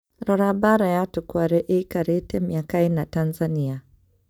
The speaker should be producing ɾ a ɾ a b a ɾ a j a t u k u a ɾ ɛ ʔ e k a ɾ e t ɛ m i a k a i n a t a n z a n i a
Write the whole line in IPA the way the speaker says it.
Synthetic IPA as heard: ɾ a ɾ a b a ɾ a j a t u k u a ɾ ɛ ʔ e k a ɾ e t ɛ m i a k a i n a t a n z a n i a